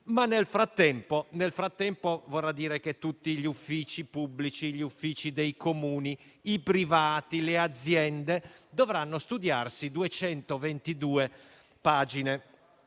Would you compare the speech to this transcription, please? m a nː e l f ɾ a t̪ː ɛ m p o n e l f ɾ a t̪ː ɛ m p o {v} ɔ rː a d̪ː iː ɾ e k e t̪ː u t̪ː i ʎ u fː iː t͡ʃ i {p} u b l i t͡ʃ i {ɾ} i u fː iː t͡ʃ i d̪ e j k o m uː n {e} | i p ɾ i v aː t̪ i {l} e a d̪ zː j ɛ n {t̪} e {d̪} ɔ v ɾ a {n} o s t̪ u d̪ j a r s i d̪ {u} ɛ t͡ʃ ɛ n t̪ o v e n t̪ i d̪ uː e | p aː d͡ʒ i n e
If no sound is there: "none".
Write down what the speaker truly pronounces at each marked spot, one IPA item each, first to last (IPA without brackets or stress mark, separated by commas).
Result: v, p, ʎ, i, l, d̪, d̪, nː, u